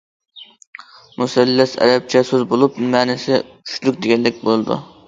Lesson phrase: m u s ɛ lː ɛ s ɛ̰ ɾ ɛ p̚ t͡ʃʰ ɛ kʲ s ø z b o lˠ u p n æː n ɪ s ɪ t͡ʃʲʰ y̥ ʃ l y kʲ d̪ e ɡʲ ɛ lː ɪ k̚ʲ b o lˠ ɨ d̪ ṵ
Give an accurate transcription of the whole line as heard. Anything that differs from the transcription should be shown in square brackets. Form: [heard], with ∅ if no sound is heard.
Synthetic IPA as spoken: m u s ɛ lː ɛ s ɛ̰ ɾ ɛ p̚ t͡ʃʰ ɛ [∅] s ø z b o lˠ u p [m] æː n ɪ s ɪ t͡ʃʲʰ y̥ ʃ l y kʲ d̪ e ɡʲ ɛ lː ɪ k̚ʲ b o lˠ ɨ d̪ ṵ